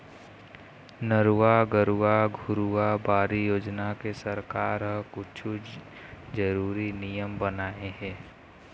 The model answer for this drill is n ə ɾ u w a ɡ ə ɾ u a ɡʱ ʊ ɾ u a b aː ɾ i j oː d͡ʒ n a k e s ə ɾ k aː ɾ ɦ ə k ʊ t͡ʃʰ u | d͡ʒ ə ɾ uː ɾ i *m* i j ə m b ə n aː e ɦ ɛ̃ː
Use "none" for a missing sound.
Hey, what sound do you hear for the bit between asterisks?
n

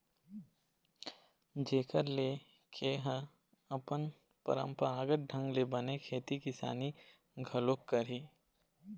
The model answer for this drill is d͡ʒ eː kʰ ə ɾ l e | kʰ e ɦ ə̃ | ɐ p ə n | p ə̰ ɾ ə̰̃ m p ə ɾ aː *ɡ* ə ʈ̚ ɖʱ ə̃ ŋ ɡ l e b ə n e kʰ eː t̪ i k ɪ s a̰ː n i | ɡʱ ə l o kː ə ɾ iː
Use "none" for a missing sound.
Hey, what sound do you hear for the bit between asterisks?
ɡ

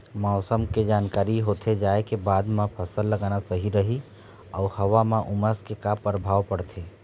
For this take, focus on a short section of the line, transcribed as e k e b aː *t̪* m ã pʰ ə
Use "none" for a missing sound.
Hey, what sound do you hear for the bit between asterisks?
d̪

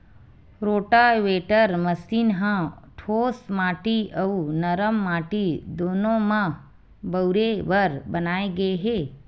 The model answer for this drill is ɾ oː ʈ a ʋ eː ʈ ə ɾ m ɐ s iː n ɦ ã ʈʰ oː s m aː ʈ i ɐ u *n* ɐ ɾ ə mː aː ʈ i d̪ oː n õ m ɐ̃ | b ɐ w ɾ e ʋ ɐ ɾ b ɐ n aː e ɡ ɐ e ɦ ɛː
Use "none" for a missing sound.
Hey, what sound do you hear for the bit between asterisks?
n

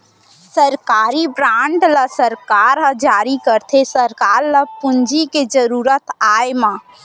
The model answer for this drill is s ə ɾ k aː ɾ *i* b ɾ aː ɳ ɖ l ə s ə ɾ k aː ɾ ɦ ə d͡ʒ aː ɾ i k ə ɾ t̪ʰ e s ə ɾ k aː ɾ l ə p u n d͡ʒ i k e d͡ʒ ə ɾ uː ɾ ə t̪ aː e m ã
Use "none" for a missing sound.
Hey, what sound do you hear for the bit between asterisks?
i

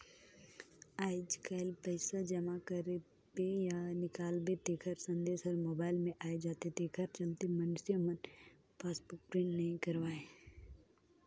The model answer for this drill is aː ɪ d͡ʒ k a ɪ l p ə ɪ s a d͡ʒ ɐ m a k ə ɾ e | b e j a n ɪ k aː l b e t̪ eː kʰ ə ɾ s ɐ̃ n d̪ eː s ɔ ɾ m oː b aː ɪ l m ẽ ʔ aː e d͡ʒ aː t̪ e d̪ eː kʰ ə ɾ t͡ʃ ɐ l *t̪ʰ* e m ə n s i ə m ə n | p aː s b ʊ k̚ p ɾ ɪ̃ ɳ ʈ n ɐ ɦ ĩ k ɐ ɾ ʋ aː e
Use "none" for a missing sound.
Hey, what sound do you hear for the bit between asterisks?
t̪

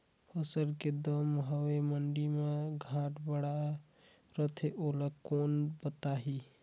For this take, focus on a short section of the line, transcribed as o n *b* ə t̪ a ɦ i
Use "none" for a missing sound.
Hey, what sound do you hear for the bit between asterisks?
b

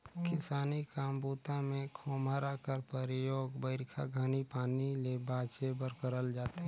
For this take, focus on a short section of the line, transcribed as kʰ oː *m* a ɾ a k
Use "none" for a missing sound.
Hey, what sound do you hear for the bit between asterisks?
m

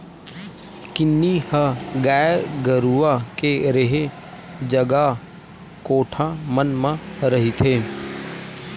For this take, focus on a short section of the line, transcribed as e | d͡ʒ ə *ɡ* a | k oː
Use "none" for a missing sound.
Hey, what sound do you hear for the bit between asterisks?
ɡ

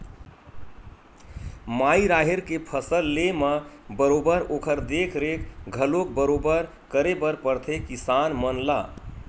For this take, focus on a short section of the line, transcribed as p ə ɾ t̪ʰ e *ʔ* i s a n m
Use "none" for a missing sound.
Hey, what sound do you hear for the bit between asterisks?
k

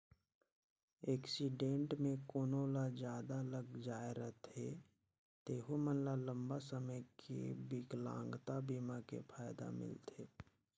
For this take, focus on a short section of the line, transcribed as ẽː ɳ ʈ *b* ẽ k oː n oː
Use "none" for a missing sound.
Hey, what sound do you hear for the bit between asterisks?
m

